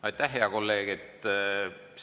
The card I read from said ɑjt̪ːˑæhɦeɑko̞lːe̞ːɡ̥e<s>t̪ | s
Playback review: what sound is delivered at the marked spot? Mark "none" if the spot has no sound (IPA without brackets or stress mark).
none